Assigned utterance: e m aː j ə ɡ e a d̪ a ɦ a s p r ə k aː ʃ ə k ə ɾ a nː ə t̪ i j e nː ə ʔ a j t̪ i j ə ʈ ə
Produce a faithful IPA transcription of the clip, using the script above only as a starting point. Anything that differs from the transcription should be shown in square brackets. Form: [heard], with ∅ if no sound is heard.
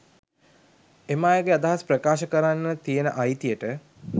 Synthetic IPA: e m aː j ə ɡ e a d̪ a ɦ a s p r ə k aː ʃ ə k ə ɾ a nː ə t̪ i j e [n] ə ʔ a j t̪ i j ə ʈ ə

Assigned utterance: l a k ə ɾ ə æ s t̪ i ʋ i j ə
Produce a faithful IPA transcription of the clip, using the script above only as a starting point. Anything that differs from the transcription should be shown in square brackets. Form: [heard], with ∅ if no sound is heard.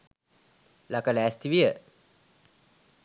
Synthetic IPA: l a k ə [l] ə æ s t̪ i ʋ i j ə

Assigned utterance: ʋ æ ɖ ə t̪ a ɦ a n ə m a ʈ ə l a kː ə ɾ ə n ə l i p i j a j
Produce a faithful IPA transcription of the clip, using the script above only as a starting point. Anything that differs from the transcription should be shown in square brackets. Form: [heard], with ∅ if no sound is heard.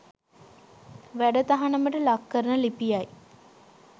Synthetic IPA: ʋ æ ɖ ə t̪ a ɦ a n ə m [ə] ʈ ə l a kː ə ɾ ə n ə l i p i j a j

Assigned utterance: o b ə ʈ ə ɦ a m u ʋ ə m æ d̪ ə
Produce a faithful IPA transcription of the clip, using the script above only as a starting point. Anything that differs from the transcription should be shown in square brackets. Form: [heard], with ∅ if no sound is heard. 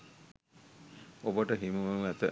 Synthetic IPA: o b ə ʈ ə ɦ [i] m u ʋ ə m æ [t̪] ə

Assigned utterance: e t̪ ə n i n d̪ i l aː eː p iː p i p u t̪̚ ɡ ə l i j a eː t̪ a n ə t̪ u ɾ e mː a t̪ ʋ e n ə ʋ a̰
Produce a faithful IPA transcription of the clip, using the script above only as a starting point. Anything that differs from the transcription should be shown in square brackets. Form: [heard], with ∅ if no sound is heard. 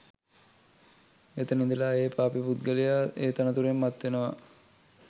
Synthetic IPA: e t̪ ə n i n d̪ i l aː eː p [aː] p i p u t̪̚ ɡ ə l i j a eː t̪ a n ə t̪ u ɾ e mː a t̪ ʋ e n ə ʋ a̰

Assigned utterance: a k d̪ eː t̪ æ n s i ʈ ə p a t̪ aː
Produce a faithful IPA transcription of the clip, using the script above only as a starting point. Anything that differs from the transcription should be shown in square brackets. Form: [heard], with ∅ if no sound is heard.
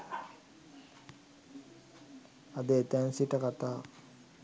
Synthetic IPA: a [∅] d̪ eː t̪ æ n s i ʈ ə [k] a t̪ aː

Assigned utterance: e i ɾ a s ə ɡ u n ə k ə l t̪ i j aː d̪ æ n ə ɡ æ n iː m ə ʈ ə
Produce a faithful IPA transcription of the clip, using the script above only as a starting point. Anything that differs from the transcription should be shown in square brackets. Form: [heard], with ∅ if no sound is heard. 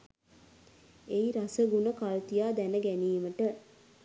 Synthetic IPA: e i ɾ a s ə ɡ u n ə k [a] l t̪ i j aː d̪ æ n ə ɡ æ n iː m ə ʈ ə

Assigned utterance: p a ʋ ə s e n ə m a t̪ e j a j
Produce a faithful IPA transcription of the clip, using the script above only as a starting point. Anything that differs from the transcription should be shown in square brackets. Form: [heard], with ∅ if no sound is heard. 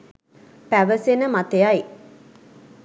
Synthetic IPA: p [æ] ʋ ə s e n ə m a t̪ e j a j

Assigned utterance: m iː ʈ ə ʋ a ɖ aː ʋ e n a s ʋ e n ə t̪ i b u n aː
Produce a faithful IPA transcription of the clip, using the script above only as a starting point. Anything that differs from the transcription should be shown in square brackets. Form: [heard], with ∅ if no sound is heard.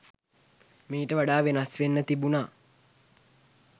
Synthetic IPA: m iː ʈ ə ʋ a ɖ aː ʋ e n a s ʋ e [nː] ə t̪ i b u n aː

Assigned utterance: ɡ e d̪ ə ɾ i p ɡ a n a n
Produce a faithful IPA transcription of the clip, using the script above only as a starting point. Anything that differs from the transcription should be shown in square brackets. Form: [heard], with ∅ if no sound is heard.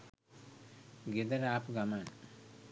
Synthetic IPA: ɡ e d̪ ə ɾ [a] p ɡ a [m] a n

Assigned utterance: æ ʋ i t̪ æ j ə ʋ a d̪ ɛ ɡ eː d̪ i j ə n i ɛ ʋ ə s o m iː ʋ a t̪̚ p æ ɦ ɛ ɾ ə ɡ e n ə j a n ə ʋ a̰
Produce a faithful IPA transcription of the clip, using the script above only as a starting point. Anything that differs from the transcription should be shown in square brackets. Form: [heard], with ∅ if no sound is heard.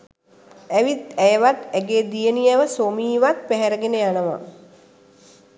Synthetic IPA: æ ʋ i t̪ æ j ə ʋ a [t̪] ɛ ɡ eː d̪ i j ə n i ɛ ʋ ə s o m iː ʋ a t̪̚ p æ ɦ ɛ ɾ ə ɡ e n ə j a n ə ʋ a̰

